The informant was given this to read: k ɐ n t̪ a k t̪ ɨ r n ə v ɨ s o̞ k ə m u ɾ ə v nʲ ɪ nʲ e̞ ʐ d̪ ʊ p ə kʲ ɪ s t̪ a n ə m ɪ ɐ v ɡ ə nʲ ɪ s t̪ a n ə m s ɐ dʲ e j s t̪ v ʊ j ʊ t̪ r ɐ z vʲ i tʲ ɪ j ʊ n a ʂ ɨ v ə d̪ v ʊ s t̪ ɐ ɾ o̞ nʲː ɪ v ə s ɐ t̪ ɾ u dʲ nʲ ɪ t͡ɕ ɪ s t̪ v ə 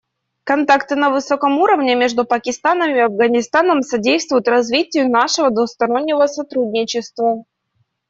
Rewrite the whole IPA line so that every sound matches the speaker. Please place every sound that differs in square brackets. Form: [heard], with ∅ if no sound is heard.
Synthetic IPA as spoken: k ɐ n t̪ a k t̪ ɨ [∅] n ə v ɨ s o̞ k ə m u ɾ ə v nʲ ɪ [mʲ] e̞ ʐ d̪ ʊ p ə kʲ ɪ s t̪ a n ə m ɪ ɐ v ɡ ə nʲ ɪ s t̪ a n ə m s ɐ dʲ e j s t̪ v ʊ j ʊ t̪ r ɐ z vʲ i tʲ ɪ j ʊ n a ʂ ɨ v ə d̪ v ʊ s t̪ ɐ ɾ o̞ nʲː ɪ v ə s ɐ t̪ ɾ u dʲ nʲ ɪ t͡ɕ ɪ s t̪ v ə